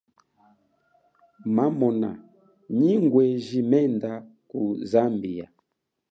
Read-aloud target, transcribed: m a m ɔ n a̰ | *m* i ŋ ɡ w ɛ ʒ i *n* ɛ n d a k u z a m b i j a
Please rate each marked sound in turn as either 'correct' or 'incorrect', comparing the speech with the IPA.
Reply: incorrect, incorrect

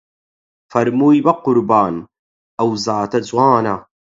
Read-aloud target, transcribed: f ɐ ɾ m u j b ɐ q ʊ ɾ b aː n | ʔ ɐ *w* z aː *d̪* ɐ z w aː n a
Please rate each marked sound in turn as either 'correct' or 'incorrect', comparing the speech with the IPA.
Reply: correct, incorrect

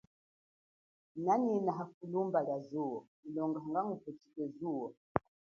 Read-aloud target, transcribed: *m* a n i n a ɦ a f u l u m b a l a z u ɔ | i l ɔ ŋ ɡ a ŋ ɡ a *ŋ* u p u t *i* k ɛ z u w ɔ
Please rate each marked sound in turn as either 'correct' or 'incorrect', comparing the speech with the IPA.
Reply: incorrect, correct, correct

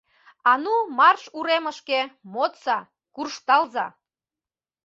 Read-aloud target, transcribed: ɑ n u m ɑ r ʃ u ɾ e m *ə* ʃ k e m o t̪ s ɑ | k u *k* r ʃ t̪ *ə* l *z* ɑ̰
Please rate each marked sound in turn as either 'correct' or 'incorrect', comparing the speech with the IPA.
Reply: correct, incorrect, incorrect, correct

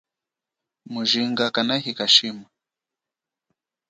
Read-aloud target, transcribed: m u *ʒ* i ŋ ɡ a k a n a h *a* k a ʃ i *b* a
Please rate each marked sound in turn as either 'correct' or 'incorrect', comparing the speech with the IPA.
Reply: correct, incorrect, incorrect

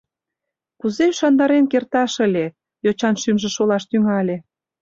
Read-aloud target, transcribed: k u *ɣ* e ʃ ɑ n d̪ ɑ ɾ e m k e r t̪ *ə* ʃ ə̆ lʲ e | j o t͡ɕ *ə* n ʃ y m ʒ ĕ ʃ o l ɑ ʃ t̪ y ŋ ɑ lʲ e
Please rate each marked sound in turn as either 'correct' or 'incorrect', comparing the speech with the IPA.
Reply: incorrect, incorrect, incorrect

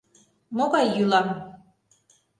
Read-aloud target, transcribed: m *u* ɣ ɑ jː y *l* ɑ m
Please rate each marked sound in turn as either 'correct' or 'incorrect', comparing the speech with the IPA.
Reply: incorrect, correct

